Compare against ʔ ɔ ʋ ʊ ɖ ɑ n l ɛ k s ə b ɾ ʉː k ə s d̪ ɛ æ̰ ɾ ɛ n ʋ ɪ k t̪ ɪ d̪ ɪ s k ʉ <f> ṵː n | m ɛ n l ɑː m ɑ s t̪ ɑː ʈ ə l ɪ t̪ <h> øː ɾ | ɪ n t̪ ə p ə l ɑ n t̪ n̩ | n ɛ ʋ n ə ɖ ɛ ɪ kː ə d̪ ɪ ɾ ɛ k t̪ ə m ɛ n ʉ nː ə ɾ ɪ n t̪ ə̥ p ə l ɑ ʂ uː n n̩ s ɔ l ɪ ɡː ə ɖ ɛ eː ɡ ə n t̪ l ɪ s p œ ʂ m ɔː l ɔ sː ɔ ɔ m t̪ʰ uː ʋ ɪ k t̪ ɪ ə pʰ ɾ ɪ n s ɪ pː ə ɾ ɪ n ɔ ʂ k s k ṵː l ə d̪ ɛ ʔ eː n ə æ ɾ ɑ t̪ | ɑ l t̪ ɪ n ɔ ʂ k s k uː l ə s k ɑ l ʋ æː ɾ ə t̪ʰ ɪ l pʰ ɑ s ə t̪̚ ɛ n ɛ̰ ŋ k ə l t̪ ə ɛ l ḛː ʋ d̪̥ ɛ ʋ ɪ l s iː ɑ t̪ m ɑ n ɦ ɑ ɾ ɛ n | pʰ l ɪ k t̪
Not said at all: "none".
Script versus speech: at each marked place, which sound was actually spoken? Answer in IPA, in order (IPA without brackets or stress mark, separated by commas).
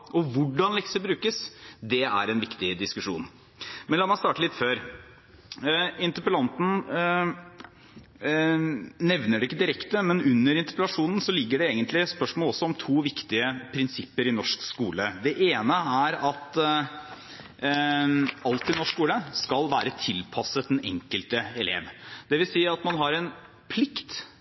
ʂ, f